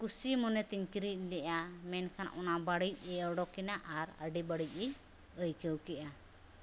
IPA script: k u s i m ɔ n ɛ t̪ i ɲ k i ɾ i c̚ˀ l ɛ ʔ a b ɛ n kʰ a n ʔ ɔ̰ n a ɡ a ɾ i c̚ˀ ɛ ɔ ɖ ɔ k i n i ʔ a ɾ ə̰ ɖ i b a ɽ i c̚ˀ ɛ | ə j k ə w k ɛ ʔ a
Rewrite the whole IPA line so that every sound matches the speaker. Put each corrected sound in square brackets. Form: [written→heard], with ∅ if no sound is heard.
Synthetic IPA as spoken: k u s i m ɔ n ɛ t̪ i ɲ k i ɾ i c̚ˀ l ɛ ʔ a [b→m] ɛ n kʰ a n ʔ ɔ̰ n a [ɡ→b] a [ɾ→ɽ] i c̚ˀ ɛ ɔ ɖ ɔ k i n [i→a] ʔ a ɾ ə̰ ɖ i b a ɽ i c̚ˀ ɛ | ə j k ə w k ɛ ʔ a

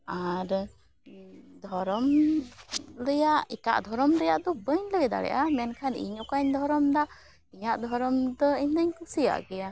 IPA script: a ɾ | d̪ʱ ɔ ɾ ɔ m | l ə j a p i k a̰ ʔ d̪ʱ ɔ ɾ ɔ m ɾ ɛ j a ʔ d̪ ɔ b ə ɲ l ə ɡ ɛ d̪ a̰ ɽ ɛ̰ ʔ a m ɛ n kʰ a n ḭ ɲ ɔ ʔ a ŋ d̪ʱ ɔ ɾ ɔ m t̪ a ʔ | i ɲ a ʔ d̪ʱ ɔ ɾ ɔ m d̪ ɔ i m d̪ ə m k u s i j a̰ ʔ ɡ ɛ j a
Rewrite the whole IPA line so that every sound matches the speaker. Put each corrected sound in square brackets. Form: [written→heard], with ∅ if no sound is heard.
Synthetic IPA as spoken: a ɾ | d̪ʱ ɔ ɾ ɔ m | l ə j a [p→ʔ] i k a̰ ʔ d̪ʱ ɔ ɾ ɔ m ɾ ɛ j a ʔ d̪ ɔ b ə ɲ l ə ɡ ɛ d̪ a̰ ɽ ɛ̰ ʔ a m ɛ n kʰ a n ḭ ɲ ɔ [ʔ→k] a [ŋ→ɲ] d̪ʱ ɔ ɾ ɔ m [t̪→d̪] a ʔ | i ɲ a ʔ d̪ʱ ɔ ɾ ɔ m d̪ ɔ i [m→ɲ] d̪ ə [m→ɲ] k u s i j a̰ ʔ ɡ ɛ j a

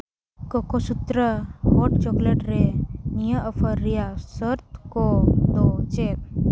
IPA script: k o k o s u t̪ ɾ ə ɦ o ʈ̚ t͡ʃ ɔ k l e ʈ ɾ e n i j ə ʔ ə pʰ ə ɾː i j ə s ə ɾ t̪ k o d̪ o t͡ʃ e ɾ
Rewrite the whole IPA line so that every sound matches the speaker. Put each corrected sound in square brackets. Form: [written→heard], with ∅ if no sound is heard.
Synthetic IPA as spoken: k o k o s u t̪ ɾ ə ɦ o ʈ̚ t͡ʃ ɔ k l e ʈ ɾ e n i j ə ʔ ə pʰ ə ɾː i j [ə→a] s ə ɾ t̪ k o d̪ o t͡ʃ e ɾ

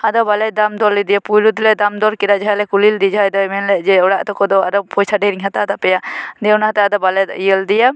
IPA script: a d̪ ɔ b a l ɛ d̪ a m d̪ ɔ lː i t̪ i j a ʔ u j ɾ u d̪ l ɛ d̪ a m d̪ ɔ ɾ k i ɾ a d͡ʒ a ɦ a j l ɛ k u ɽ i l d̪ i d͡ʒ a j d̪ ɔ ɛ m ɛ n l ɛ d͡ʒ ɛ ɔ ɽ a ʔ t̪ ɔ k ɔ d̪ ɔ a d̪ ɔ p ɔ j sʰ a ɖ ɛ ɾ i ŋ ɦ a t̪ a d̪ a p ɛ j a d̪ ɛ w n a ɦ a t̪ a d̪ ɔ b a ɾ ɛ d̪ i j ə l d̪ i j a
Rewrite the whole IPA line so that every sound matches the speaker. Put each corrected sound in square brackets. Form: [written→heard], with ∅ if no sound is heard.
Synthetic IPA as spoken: a d̪ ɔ b a l ɛ d̪ a m d̪ ɔ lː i [t̪→d̪] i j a [ʔ→p] u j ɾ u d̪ l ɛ d̪ a m d̪ ɔ ɾ k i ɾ a d͡ʒ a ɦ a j l ɛ k u [ɽ→l] i l d̪ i d͡ʒ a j d̪ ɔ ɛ m ɛ n l ɛ d͡ʒ ɛ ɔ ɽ a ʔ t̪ ɔ k ɔ d̪ ɔ a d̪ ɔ p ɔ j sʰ a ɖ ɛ ɾ i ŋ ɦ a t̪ a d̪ a p ɛ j a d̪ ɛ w n a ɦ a t̪ a d̪ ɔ b a [ɾ→l] ɛ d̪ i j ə l d̪ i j a

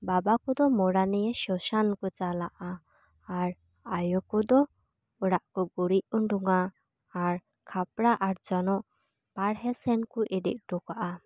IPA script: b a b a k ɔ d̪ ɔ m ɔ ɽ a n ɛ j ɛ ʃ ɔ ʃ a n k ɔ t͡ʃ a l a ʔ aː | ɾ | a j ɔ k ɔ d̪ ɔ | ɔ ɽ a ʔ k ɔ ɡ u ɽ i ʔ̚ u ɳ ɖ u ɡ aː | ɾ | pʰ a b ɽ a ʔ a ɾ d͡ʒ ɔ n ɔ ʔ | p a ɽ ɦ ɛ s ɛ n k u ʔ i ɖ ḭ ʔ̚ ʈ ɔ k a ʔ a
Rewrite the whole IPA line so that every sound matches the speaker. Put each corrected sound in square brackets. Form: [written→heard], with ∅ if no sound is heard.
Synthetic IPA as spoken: b a b a k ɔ d̪ ɔ m ɔ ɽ a n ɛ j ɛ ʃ ɔ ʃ a n k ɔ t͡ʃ a l a ʔ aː | ɾ | a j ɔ k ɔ d̪ ɔ | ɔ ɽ a ʔ k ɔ ɡ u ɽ i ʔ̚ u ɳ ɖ u [ɡ→ŋ] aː | ɾ | [pʰ→kʰ] a [b→p] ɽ a ʔ a ɾ d͡ʒ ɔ n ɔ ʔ | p a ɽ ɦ ɛ s ɛ n k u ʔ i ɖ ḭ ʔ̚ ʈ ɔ k a ʔ a

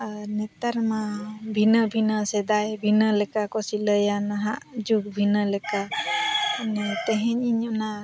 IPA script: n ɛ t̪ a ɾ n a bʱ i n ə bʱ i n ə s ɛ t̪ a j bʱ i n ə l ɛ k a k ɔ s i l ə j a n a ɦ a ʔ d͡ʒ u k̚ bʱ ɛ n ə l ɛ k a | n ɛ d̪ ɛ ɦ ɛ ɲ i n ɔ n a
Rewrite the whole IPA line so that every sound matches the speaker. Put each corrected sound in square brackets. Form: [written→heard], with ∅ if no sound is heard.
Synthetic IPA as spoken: n ɛ t̪ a ɾ [n→m] a bʱ i n ə bʱ i n ə s ɛ [t̪→d̪] a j bʱ i n ə l ɛ k a k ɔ s i l ə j a n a ɦ a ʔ d͡ʒ u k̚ bʱ [ɛ→i] n ə l ɛ k a | n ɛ [d̪→t̪] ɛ ɦ ɛ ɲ i [n→ɲ] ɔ n a

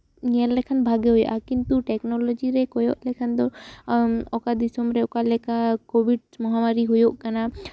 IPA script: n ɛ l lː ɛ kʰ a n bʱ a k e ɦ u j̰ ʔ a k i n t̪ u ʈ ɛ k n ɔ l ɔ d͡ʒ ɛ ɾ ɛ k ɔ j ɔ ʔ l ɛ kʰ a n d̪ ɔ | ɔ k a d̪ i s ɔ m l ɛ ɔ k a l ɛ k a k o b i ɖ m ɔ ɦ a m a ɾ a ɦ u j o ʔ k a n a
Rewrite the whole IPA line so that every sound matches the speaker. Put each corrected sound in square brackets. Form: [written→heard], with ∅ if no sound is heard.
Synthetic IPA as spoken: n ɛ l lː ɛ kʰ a n bʱ a [k→ɡ] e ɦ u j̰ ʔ a k i n t̪ u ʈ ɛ k n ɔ l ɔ d͡ʒ [ɛ→i] ɾ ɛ k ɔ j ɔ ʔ l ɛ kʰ a n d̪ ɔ | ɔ k a d̪ i s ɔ m [l→ɾ] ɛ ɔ k a l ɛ k a k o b i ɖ m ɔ ɦ a m a ɾ [a→i] ɦ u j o ʔ k a n a

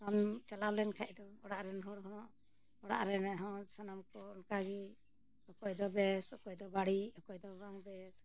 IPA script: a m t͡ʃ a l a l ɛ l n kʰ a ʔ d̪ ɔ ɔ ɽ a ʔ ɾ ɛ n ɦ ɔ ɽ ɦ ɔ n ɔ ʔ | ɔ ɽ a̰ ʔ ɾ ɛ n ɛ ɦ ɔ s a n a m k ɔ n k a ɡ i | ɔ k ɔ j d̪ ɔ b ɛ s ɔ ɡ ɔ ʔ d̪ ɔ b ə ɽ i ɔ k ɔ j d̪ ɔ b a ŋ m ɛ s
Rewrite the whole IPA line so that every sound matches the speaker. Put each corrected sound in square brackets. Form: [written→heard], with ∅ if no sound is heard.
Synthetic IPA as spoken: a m t͡ʃ a l a l ɛ [l→∅] n kʰ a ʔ d̪ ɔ ɔ ɽ a ʔ ɾ ɛ n ɦ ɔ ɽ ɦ ɔ n ɔ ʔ | ɔ ɽ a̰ ʔ ɾ ɛ n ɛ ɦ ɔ s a n a m k ɔ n k a ɡ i | ɔ k ɔ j d̪ ɔ b ɛ s ɔ [ɡ→k] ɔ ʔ d̪ ɔ b [ə→a] ɽ i ɔ k ɔ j d̪ ɔ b a ŋ [m→b] ɛ s

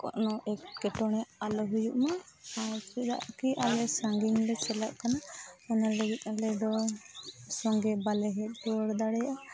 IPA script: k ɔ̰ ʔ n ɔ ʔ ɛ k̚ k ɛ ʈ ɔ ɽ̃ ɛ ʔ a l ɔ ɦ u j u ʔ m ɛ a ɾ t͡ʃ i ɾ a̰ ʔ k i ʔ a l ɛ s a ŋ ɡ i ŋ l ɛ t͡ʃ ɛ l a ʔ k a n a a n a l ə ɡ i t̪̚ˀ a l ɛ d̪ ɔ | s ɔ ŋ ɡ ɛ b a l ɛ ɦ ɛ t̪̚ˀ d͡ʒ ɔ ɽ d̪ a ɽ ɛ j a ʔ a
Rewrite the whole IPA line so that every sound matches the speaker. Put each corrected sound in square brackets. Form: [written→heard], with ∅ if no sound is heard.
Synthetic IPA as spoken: k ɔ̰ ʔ n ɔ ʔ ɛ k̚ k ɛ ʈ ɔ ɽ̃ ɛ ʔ a l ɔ ɦ u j u ʔ m [ɛ→a] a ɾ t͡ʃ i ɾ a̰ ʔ k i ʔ a l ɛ s a ŋ ɡ i ŋ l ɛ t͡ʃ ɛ l a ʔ k a n a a n a l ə ɡ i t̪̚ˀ a l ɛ d̪ ɔ | s ɔ ŋ ɡ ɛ b a l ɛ ɦ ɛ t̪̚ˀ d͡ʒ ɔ ɽ d̪ a ɽ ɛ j a ʔ a

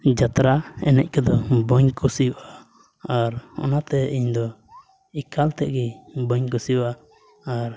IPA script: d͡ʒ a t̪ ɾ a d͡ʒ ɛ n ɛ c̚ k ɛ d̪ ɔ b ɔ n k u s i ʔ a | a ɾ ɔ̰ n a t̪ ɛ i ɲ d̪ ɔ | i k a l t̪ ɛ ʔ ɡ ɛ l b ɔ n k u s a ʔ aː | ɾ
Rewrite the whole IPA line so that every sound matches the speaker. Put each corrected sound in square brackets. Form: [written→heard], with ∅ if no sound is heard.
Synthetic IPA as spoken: d͡ʒ a t̪ ɾ a [d͡ʒ→∅] ɛ n ɛ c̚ k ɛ d̪ ɔ b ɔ [n→ɲ] k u s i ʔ a | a ɾ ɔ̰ n a t̪ ɛ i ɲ d̪ ɔ | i k a l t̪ ɛ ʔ ɡ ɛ [l→∅] b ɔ [n→ɲ] k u s [a→i] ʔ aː | ɾ

